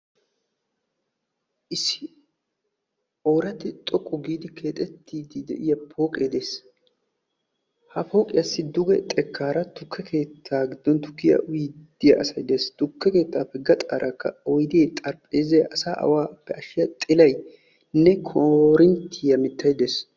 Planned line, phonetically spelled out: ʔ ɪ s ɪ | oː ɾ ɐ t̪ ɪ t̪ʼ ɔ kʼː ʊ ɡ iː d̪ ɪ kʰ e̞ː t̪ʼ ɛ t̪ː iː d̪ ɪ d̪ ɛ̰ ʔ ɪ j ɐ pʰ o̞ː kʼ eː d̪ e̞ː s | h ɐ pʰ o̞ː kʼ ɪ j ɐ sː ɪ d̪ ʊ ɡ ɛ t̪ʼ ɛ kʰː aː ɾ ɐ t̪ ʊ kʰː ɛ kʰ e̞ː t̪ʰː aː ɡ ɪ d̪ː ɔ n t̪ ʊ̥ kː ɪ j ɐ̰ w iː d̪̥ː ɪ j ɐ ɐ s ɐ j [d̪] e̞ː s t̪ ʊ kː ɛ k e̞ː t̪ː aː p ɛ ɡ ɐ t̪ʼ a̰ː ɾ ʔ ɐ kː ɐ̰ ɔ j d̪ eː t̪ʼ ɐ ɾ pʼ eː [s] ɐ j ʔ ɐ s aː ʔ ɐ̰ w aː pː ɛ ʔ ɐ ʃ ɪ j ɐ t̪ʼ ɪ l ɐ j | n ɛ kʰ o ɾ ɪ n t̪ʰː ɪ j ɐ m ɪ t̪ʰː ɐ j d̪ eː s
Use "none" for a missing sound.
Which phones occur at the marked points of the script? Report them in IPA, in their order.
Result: d̪, z

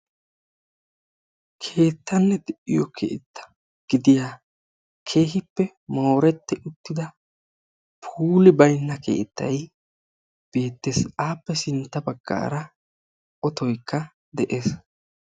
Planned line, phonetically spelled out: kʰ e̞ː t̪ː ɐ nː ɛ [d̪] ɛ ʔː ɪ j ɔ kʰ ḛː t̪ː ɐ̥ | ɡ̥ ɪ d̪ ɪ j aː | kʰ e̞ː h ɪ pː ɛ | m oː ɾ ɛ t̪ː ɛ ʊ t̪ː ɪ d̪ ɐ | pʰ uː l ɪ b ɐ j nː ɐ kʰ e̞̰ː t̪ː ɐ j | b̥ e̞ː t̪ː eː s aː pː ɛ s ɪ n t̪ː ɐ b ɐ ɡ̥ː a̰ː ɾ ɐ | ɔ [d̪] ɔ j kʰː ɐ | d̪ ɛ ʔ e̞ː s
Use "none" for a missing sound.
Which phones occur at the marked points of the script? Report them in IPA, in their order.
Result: d̪, t̪

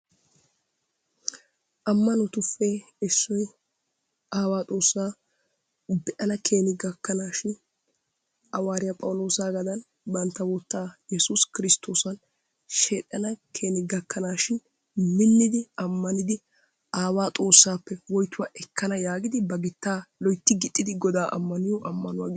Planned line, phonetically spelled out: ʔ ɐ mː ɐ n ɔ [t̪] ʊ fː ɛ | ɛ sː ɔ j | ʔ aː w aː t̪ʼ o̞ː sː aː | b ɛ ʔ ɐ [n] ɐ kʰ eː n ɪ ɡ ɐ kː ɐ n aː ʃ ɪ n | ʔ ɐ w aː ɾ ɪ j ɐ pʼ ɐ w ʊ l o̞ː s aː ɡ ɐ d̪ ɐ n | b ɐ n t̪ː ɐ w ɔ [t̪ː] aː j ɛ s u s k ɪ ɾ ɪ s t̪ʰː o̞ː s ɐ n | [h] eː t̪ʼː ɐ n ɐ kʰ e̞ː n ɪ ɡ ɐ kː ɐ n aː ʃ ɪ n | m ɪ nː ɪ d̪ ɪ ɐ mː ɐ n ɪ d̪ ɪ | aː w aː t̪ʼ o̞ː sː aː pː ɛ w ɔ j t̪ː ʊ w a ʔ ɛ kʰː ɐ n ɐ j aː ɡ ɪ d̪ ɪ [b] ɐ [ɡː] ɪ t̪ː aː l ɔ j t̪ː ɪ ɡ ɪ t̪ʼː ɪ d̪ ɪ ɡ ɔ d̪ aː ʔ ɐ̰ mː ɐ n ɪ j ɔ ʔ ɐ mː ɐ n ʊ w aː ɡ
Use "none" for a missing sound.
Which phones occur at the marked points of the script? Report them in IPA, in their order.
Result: t̪, n, t̪ː, ʃ, b, ɡ

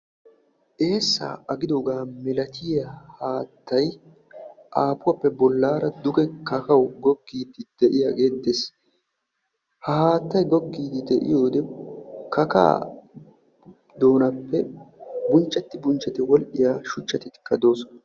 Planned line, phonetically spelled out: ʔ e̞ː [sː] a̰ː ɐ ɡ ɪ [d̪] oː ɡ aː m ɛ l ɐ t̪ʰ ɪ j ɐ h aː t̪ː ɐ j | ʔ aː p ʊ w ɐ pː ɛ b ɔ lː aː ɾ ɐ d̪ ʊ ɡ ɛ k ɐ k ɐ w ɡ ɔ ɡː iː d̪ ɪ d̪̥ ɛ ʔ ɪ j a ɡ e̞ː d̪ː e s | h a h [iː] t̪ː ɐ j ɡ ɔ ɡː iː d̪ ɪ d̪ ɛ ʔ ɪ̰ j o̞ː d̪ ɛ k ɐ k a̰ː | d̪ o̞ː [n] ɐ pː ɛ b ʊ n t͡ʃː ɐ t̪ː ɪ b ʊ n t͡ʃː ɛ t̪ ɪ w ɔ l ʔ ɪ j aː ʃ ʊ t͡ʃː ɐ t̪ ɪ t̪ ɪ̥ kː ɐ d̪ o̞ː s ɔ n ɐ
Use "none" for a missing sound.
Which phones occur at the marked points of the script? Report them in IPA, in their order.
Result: sː, d̪, aː, n

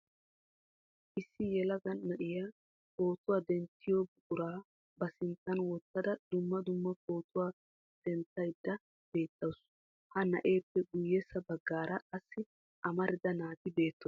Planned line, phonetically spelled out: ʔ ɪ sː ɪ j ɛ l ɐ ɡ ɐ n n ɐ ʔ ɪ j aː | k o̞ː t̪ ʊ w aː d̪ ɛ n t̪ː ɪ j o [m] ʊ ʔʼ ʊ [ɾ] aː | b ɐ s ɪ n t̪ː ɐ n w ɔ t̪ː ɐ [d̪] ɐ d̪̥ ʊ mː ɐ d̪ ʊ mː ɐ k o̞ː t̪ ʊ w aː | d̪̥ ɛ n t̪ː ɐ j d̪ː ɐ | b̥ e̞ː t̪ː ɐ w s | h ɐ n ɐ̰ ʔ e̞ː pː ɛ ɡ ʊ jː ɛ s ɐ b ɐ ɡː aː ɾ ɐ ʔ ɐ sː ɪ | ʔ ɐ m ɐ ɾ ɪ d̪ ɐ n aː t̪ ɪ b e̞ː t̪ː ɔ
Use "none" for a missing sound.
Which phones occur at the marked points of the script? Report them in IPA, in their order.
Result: b, ɾ, d̪

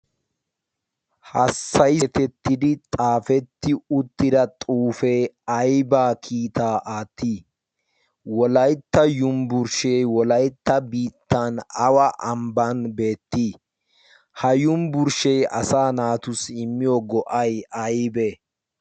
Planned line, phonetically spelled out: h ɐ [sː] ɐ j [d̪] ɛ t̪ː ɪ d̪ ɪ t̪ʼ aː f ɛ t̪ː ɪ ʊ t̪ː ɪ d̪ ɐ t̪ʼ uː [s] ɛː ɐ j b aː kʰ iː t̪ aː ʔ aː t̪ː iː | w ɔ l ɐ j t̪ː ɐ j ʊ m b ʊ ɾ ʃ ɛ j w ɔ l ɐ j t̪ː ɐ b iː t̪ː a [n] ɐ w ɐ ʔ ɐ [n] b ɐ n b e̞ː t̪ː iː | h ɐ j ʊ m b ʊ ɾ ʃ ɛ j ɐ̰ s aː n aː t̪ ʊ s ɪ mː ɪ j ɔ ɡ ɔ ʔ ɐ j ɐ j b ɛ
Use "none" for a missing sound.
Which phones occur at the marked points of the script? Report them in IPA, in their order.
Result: sː, t̪, f, n, m

